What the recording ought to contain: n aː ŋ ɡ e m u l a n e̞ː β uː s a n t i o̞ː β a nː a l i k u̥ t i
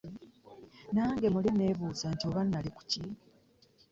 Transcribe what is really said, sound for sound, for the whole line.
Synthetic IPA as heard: n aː ŋ ɡ e m u l i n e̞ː β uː z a n t i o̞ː β a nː a l i k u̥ c i